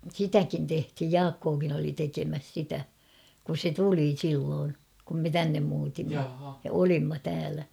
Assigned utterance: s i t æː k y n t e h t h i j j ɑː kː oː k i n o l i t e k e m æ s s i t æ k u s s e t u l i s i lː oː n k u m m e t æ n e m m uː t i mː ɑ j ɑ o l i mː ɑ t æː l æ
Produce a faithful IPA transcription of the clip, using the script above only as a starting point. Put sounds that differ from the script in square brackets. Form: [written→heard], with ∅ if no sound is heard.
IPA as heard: s i t [æː→æ] k [y→i] n t e h t h i j j ɑː kː oː k i n o l i t e k e m æ s s i t æ k u s s e t u l i s i lː oː n k u m m e t æ [n→nː] e m m uː t i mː ɑ j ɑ o l i mː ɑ t æː l æ